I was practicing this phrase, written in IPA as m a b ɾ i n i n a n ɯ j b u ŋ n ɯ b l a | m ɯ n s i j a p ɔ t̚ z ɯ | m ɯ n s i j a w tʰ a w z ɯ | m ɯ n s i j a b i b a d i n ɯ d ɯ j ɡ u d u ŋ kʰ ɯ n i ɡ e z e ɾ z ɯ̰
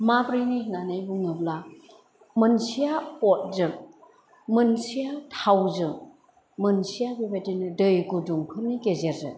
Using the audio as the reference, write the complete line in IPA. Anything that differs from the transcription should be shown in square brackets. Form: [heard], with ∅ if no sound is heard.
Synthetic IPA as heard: m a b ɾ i n i n a n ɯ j b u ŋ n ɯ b l a | m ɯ n s i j a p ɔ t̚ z ɯ | m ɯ n s i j a [∅] tʰ a w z ɯ | m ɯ n s i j a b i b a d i n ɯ d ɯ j ɡ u d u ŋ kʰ ɯ n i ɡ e z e ɾ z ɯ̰

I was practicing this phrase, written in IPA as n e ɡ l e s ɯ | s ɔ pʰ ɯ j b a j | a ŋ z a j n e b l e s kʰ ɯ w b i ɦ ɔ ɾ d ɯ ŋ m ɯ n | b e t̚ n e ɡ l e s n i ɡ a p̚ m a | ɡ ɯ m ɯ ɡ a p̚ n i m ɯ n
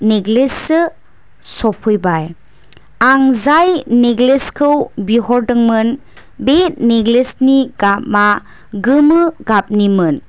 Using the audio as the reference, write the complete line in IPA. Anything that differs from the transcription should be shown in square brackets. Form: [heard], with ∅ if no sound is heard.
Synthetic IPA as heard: n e ɡ l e s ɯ | s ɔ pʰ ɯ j b a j | a ŋ z a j n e [ɡ] l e s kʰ ɯ w b i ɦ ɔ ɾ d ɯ ŋ m ɯ n | b e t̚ n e ɡ l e s n i ɡ a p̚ m a | ɡ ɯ m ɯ ɡ a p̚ n i m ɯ n

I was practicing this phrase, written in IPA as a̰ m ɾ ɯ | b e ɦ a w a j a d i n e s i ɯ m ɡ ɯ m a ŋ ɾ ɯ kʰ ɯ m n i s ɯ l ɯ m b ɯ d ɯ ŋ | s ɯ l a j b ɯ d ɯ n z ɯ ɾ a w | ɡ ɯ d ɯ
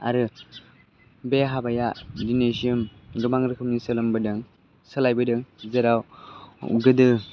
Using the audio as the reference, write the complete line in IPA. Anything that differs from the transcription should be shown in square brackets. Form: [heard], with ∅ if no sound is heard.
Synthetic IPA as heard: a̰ [∅] ɾ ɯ | b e ɦ a [b] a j a d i n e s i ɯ m ɡ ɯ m a ŋ ɾ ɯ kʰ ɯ m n i s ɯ l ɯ m b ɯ d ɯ ŋ | s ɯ l a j b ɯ d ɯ [ŋ] z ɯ ɾ a w | ɡ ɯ d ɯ

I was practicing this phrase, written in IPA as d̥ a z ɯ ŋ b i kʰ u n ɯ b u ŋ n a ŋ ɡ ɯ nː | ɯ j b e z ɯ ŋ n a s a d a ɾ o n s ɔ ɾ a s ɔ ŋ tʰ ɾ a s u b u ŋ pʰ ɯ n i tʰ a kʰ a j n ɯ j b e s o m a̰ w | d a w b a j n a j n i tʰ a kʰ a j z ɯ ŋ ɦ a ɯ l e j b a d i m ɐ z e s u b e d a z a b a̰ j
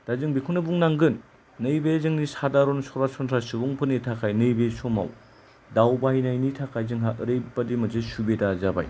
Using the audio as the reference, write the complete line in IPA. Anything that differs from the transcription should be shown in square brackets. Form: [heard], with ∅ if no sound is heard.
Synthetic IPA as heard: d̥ a z ɯ ŋ b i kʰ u n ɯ b u ŋ n a ŋ ɡ ɯ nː | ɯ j b e z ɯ ŋ n [i] s a d a ɾ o n s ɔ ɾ a s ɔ [n] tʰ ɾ a s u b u ŋ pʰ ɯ n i tʰ a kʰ a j n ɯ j b e s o m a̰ w | d a w b a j n a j n i tʰ a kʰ a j z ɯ ŋ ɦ a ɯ [ɾ] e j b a d i m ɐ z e s u b e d a z a b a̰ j

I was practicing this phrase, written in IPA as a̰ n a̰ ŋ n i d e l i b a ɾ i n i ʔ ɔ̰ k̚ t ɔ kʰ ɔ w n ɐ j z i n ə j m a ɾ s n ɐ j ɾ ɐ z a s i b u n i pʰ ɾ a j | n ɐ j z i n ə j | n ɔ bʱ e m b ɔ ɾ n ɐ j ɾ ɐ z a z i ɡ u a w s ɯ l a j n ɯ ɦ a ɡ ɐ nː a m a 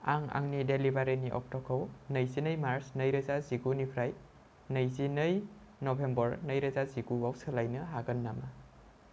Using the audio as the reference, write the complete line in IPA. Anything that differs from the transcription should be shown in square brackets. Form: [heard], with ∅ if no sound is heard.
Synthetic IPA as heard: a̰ [ŋ] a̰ ŋ n i d e l i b a ɾ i n i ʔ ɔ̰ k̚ t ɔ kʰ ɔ w n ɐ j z i n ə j m a ɾ s n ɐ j ɾ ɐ z a [z] i [ɡ] u n i pʰ ɾ a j | n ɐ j z i n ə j | n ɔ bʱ e m b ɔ ɾ n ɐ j ɾ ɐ z a z i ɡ u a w s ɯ l a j n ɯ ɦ a ɡ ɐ nː a m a

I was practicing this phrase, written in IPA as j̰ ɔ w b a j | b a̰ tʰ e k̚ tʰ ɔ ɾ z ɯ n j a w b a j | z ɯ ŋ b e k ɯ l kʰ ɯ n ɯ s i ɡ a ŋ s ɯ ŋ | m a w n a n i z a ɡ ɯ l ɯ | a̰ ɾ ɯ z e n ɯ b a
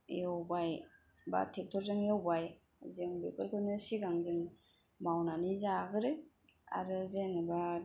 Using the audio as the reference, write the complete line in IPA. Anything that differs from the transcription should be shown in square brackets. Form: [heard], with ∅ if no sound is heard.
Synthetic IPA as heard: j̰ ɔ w b a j | b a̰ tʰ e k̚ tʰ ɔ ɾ z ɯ [ŋ] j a w b a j | z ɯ ŋ b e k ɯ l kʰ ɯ n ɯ s i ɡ a ŋ [z] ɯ ŋ | m a w n a n i z a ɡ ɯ [ɾ] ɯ | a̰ ɾ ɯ z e n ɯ b a

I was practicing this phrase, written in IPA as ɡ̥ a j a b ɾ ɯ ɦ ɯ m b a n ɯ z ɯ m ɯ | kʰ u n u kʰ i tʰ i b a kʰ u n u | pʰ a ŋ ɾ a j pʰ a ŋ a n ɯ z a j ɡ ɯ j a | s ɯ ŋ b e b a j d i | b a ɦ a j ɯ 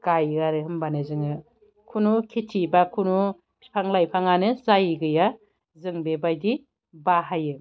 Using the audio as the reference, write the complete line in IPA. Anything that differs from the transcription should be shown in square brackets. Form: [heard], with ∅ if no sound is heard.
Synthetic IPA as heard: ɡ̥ a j a [∅] ɾ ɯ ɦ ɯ m b a n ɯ z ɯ [ŋ] ɯ | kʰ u n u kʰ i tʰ i b a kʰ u n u | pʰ a ŋ [l] a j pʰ a ŋ a n ɯ z a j ɡ ɯ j a | [z] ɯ ŋ b e b a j d i | b a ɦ a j ɯ

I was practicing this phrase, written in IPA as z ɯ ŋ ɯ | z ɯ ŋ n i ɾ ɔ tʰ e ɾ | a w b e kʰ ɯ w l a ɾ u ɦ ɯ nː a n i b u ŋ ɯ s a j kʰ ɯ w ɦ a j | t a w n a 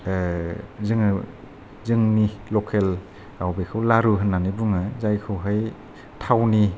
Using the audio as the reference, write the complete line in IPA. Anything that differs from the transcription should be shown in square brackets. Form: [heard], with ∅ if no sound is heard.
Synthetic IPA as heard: z ɯ ŋ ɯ | z ɯ ŋ n i [l] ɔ [kʰ] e [l] | a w b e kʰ ɯ w l a ɾ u ɦ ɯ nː a n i b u ŋ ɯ [z] a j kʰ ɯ w ɦ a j | [tʰ] a w n [i]

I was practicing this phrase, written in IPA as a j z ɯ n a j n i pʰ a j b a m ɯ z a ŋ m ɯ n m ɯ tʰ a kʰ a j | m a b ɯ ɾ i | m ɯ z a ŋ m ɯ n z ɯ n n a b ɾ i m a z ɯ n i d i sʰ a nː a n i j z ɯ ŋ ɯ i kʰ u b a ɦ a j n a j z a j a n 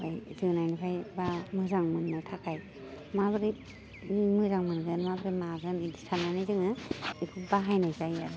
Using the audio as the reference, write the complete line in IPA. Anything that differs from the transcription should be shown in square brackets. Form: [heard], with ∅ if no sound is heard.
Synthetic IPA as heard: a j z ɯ n a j n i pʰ a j b a m ɯ z a ŋ m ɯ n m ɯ tʰ a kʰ a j | m a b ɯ ɾ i | m ɯ z a ŋ m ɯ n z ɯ n [m] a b ɾ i m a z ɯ n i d i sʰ a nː a n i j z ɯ ŋ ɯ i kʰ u b a ɦ a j n a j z a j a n

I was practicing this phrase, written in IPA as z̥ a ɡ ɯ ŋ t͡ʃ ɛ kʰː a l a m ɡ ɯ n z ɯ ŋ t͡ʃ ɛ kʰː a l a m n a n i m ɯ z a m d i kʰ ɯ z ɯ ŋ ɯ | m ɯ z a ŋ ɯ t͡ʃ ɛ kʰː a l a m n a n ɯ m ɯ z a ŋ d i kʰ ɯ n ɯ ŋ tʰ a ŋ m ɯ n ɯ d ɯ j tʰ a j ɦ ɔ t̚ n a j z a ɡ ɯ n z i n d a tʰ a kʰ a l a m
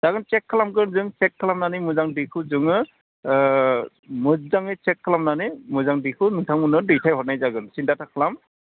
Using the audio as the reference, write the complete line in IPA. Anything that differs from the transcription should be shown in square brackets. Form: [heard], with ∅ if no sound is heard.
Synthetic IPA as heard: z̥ a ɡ ɯ [n] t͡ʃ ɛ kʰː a l a m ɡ ɯ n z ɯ ŋ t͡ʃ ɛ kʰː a l a m n a n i m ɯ z a [ŋ] d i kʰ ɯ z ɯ ŋ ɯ | m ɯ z a ŋ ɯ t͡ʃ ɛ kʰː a l a m n a n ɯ m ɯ z a ŋ d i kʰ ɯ n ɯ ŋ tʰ a ŋ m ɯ n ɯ d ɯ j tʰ a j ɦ ɔ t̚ n a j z a ɡ ɯ n [s] i n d a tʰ a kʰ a l a m

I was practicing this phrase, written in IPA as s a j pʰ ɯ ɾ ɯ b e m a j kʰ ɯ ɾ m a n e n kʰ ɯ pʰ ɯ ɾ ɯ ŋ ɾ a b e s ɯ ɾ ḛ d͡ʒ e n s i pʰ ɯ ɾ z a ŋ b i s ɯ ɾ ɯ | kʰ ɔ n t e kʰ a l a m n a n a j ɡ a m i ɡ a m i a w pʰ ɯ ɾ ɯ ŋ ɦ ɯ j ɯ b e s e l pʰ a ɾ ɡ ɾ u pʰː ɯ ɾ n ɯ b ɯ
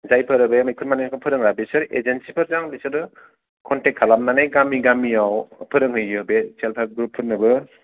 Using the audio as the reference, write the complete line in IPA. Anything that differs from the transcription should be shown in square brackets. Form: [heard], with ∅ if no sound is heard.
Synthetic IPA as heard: [z] a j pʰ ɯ ɾ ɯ b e m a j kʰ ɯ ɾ m a n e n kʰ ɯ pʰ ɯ ɾ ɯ ŋ ɾ a b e s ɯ ɾ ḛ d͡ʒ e n s i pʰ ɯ ɾ z a ŋ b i s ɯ ɾ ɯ | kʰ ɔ n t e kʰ a l a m n a n a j ɡ a m i ɡ a m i a w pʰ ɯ ɾ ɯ ŋ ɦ ɯ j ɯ b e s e l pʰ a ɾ ɡ ɾ u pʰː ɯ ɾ n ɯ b ɯ

